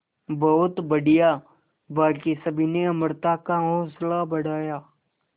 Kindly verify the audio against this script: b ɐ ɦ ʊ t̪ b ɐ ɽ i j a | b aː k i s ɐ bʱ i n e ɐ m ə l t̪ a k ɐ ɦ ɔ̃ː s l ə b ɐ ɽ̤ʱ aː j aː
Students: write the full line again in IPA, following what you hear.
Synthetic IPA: b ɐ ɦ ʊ t̪ b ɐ ɽ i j a | b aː k i s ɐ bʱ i n e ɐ m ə ɾ t̪ a k a ɦ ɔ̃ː s l a b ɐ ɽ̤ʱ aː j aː